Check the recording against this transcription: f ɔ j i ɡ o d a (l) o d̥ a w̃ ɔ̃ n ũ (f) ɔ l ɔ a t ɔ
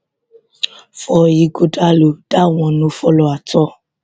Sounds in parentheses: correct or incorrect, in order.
correct, correct

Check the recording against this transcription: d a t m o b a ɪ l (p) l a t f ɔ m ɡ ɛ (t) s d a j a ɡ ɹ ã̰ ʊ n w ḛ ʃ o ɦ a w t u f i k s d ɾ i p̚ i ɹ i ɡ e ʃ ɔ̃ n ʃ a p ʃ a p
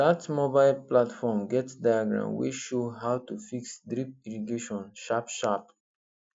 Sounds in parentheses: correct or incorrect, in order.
correct, correct

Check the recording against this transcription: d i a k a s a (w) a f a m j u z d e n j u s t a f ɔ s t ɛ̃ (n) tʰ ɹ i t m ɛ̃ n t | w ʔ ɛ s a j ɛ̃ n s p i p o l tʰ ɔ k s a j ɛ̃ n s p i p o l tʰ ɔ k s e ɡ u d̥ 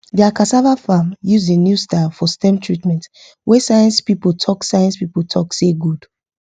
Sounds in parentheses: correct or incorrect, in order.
incorrect, incorrect

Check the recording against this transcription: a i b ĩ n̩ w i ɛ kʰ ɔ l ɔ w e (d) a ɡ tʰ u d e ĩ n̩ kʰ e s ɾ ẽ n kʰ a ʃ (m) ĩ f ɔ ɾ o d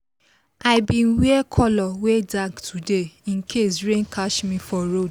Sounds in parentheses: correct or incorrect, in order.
correct, correct

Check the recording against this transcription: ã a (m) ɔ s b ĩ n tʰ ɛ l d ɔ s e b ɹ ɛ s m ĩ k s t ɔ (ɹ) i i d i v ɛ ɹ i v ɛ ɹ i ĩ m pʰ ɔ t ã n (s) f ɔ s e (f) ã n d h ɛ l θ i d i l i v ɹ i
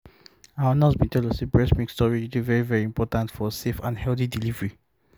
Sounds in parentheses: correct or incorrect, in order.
incorrect, correct, incorrect, correct

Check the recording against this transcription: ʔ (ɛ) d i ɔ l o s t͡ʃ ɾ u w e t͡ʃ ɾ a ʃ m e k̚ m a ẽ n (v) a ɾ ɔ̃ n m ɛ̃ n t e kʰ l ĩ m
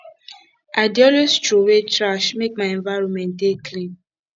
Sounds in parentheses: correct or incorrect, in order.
incorrect, correct

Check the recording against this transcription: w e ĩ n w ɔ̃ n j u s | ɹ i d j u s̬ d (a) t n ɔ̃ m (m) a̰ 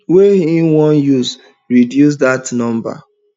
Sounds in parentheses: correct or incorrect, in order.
correct, incorrect

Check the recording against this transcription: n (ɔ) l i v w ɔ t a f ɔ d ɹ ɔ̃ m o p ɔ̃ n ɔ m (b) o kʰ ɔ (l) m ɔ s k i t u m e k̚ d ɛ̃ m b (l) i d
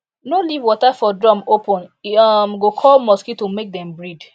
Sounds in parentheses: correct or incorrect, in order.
incorrect, incorrect, correct, incorrect

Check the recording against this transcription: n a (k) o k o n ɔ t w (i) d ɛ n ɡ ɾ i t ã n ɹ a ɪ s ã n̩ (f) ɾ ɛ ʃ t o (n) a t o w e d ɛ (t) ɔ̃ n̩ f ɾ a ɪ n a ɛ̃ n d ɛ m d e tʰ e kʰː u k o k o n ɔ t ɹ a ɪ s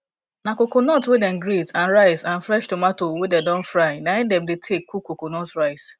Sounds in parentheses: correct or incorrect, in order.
correct, incorrect, correct, incorrect, incorrect

